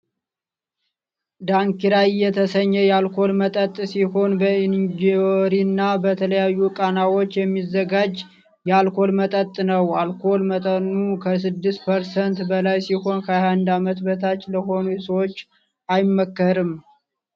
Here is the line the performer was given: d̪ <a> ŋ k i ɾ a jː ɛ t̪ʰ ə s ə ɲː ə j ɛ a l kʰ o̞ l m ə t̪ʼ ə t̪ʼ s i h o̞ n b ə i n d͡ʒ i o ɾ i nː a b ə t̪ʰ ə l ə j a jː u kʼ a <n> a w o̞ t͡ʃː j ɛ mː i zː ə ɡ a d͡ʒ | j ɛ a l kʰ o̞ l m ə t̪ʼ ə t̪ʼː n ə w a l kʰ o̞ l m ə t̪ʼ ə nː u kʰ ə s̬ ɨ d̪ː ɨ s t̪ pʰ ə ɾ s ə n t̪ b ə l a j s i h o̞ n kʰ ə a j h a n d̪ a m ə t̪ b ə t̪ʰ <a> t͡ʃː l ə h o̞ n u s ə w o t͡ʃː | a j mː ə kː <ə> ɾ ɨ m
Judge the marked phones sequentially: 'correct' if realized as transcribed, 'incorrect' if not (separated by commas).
correct, correct, correct, correct